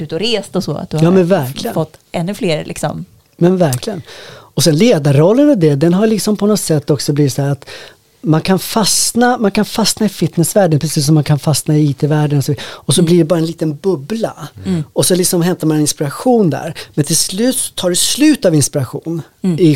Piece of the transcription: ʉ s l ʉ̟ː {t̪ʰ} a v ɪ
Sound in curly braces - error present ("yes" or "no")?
yes